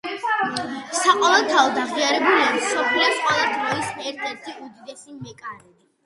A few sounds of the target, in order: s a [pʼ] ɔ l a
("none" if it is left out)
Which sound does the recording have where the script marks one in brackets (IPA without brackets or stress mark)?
qʼ